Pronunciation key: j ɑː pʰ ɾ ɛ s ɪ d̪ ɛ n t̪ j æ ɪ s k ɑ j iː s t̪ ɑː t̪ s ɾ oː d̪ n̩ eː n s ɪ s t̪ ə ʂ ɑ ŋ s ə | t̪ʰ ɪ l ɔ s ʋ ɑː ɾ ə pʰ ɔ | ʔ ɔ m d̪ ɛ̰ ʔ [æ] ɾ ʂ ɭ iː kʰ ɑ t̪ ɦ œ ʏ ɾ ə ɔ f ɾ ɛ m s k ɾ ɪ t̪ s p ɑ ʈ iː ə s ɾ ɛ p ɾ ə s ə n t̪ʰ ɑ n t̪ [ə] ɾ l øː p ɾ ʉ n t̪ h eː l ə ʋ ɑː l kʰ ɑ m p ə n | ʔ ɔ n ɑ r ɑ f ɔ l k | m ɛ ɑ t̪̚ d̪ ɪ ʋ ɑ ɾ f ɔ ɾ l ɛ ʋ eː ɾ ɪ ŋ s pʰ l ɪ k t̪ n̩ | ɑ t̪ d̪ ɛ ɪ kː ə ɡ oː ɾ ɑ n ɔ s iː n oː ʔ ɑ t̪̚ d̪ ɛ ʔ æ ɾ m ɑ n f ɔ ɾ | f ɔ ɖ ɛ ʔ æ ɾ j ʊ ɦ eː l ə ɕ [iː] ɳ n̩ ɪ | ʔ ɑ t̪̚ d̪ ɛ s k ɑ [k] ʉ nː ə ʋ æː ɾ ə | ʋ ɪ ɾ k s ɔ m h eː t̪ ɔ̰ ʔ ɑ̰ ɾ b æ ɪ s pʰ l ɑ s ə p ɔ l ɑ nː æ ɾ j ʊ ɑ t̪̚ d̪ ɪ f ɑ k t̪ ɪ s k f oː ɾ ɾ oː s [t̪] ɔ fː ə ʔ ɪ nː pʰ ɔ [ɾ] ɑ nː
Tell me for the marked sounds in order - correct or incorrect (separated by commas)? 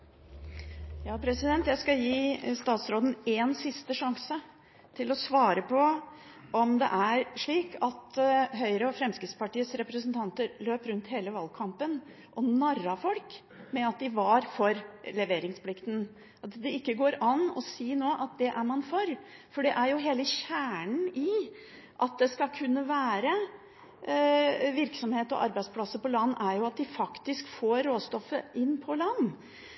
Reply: correct, correct, incorrect, incorrect, correct, incorrect